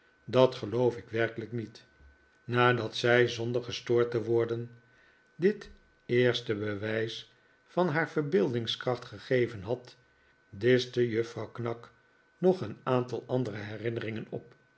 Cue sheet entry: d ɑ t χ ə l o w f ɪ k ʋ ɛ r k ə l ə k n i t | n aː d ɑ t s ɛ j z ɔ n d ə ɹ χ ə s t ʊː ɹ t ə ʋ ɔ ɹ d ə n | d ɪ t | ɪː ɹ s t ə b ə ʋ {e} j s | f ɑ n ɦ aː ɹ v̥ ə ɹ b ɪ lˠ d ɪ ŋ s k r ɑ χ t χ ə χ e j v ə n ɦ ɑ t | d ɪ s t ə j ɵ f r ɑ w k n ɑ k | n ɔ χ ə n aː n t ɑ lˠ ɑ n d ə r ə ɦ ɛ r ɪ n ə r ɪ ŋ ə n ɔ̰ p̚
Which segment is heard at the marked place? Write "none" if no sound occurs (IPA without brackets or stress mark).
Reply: ɛ